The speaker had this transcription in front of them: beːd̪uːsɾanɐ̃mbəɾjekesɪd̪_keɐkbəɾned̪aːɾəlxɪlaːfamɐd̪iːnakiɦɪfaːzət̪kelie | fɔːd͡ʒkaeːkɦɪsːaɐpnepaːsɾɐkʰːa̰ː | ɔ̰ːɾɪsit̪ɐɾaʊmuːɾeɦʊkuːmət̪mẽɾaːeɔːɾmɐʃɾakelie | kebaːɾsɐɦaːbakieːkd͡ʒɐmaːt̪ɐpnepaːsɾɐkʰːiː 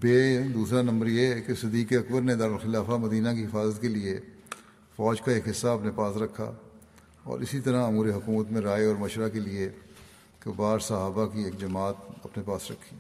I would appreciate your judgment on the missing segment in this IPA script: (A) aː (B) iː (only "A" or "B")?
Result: B